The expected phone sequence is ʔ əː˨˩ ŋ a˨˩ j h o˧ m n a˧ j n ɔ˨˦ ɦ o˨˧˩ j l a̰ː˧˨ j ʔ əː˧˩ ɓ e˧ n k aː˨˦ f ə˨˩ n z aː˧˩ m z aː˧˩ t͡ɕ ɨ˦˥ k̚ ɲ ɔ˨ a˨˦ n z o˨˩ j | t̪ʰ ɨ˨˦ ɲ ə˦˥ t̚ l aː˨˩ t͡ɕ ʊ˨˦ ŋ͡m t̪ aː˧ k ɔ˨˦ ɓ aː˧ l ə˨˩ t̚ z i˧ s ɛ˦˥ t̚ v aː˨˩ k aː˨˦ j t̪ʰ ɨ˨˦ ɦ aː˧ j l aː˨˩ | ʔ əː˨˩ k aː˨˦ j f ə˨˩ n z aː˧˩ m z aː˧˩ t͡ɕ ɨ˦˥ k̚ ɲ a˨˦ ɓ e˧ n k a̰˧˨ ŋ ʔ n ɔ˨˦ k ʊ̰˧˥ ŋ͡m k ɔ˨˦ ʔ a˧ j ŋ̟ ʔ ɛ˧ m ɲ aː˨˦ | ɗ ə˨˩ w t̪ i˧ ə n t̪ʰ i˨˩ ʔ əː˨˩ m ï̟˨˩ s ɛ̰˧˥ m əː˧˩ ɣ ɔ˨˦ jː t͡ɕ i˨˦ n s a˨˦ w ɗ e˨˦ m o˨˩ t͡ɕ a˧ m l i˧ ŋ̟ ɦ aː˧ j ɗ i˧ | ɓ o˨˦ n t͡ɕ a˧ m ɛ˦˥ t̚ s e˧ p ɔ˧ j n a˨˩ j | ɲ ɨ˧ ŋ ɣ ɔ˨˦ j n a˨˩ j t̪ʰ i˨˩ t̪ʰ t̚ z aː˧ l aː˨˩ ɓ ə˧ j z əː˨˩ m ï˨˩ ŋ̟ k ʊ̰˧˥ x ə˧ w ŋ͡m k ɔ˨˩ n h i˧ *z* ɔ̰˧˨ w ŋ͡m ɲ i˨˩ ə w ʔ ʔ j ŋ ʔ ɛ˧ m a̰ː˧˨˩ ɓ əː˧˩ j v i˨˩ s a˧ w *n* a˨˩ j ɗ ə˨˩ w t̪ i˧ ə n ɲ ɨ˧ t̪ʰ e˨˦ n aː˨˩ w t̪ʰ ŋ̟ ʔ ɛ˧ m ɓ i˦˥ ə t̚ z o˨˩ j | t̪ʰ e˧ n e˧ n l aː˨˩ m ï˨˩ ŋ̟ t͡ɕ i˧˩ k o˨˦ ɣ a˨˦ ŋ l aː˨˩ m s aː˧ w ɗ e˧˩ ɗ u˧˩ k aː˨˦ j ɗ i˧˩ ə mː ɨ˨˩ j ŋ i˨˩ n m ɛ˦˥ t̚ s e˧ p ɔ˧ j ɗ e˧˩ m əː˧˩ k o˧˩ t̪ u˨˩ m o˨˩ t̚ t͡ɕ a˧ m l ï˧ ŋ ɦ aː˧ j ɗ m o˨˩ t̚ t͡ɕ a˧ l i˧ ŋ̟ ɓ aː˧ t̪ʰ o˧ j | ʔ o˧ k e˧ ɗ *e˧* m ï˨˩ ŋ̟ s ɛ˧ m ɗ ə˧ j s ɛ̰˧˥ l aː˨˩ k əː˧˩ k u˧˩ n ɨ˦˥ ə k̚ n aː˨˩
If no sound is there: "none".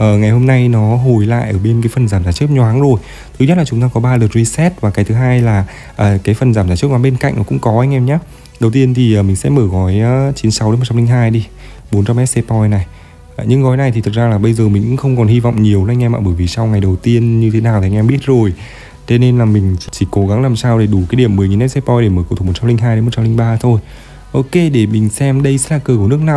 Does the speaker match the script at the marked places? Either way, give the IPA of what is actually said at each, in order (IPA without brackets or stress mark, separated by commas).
v, ŋ, e˧˩